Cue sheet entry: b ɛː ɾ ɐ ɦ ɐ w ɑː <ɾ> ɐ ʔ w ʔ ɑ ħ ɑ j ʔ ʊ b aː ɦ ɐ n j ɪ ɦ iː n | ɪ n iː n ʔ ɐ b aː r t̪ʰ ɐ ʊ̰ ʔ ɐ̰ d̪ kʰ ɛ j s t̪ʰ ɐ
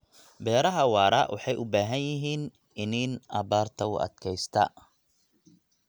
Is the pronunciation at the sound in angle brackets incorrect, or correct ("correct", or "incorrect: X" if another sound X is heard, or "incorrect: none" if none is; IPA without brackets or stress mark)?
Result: correct